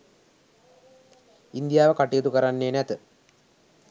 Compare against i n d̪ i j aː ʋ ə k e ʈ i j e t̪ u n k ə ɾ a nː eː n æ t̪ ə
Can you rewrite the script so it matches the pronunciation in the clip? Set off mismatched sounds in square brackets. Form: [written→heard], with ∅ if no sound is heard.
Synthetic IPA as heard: i n d̪ i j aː ʋ ə k [e→a] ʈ i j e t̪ u [n→∅] k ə ɾ a nː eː n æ t̪ ə

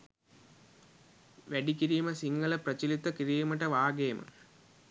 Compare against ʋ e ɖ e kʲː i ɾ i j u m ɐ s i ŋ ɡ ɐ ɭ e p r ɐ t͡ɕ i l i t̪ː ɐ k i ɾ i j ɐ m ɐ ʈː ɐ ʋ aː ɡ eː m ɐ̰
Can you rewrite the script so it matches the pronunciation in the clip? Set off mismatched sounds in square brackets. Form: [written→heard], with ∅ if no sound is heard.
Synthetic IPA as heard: ʋ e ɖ [e→i] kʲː i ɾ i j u m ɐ s i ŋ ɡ ɐ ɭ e p r ɐ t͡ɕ i l i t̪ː ɐ k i ɾ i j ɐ m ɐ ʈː ɐ ʋ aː ɡ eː m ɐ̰

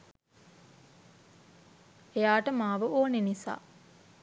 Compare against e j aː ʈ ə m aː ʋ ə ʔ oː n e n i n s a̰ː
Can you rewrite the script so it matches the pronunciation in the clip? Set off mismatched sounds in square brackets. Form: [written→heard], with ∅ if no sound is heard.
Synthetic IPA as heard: e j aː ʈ ə m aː ʋ ə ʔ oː n e n i [n→∅] s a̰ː

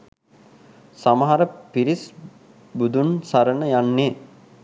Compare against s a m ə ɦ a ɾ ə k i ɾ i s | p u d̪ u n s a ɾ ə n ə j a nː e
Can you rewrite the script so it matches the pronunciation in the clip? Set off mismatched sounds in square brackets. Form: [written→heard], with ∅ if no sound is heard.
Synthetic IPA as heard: s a m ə ɦ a ɾ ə [k→p] i ɾ i s | [p→b] u d̪ u n s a ɾ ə n ə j a nː e

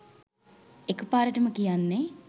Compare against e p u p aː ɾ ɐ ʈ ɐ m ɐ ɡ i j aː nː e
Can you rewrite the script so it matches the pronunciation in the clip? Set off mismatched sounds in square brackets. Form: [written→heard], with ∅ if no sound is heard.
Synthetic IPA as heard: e [p→k] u p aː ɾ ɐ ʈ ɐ m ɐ [ɡ→k] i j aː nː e

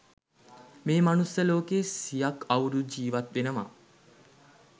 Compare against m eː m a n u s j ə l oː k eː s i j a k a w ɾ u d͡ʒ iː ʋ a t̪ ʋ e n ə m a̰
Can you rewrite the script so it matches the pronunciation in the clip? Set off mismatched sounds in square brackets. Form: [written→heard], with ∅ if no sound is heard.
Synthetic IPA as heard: m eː m a n u s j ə l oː k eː s i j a k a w ɾ u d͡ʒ iː ʋ a t̪ ʋ e n ə m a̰

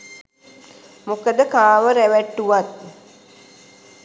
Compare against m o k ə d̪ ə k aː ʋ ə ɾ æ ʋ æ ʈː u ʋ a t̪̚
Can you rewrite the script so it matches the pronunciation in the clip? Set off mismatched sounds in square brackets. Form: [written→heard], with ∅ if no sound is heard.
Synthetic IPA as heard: m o k ə d̪ ə k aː ʋ ə ɾ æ ʋ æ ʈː u ʋ a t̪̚

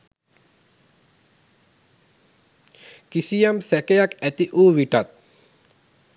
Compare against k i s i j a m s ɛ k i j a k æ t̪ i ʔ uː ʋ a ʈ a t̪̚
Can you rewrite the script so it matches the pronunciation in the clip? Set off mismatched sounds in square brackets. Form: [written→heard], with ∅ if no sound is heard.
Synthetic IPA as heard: k i s i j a m s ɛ k [i→e] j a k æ t̪ i ʔ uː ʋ [a→i] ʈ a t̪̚

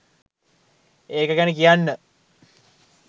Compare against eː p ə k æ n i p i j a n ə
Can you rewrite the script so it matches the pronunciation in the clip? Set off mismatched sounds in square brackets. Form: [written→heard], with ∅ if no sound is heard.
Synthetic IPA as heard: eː [p→k] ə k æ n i [p→k] i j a [n→nː] ə

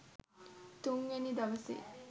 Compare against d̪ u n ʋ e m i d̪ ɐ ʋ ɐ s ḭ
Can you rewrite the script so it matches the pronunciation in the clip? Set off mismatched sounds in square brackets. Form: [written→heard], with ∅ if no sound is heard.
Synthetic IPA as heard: [d̪→t̪] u [n→ŋ] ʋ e [m→n] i d̪ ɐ ʋ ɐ s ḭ

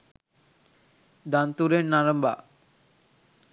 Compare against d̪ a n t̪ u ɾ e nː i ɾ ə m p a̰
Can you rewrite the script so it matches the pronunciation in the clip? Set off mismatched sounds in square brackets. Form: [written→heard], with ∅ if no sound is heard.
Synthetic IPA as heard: d̪ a n t̪ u ɾ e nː [i→a] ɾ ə m [p→b] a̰

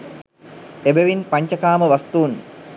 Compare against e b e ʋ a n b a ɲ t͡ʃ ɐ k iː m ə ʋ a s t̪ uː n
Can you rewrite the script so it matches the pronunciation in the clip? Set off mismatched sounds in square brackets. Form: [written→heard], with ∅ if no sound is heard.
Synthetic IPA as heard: e b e ʋ [a→i] n [b→p] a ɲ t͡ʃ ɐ k [iː→aː] m ə ʋ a s t̪ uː n

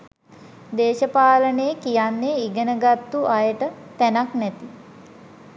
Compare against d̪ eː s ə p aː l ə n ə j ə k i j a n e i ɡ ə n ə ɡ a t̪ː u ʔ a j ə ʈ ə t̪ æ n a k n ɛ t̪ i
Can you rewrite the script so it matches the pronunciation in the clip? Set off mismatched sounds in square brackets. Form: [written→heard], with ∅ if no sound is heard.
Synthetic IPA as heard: d̪ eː [s→ʃ] ə p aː l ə n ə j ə k i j a [n→nː] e i ɡ ə n ə ɡ a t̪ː u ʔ a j ə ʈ ə t̪ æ n a k n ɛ t̪ i

